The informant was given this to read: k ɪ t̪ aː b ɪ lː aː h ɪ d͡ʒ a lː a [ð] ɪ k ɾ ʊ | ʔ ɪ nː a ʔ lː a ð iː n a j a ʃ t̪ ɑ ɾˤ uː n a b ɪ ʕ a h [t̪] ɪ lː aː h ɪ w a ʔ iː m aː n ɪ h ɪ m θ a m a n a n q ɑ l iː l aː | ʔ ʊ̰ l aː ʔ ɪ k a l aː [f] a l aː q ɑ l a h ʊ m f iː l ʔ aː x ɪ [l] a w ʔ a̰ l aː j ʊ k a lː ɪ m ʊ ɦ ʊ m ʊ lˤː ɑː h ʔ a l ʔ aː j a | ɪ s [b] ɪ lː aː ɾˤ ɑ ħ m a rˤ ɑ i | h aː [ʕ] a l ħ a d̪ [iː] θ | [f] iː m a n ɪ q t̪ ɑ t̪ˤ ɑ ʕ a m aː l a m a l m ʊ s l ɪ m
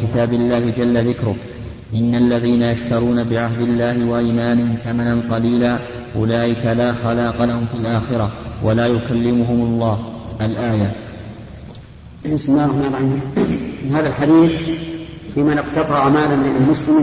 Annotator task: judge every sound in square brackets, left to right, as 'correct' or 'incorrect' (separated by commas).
correct, incorrect, incorrect, incorrect, incorrect, incorrect, correct, correct